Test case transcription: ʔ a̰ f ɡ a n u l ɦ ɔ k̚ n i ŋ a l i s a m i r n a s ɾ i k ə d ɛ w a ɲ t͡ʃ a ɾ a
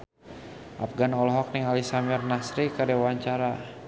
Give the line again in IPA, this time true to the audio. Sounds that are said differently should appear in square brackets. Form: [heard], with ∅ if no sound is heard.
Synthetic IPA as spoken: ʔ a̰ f ɡ a n [ɔ] l ɦ ɔ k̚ n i ŋ a l i s a m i r n a s ɾ i k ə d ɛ w a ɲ t͡ʃ a ɾ a